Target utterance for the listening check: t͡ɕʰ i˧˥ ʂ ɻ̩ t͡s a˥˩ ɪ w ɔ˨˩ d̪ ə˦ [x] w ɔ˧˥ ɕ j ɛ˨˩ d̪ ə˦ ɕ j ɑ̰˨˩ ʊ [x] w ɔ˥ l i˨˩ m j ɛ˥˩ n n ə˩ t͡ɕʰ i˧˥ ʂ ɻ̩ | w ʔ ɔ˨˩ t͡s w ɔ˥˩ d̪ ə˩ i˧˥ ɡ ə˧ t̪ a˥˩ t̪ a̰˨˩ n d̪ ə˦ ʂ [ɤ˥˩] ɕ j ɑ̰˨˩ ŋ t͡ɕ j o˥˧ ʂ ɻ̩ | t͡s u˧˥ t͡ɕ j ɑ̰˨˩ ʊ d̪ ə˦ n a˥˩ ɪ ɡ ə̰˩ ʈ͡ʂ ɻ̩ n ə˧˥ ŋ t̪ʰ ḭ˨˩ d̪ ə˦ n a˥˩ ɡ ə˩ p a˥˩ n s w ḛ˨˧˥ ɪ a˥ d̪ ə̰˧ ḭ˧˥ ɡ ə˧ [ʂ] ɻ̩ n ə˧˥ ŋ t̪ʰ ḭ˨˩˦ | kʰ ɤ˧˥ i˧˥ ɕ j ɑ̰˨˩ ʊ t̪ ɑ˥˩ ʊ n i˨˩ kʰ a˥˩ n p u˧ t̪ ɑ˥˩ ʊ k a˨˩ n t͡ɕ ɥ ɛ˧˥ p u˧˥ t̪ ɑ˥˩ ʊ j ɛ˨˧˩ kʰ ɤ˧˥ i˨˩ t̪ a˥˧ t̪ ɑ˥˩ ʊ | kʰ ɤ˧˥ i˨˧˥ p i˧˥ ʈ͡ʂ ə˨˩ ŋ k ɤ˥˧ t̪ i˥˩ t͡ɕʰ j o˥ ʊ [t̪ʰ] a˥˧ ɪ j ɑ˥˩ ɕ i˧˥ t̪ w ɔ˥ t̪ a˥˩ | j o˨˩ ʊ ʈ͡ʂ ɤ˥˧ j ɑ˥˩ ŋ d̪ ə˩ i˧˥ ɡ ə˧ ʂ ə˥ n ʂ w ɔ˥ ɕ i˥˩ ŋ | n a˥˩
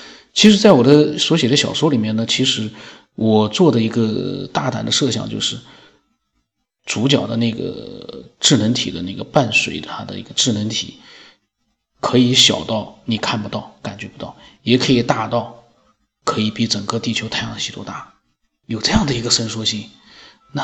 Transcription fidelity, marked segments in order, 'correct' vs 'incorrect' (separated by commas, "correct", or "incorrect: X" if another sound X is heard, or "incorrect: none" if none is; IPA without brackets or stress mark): incorrect: s, incorrect: ʂ, correct, incorrect: ʈ͡ʂ, correct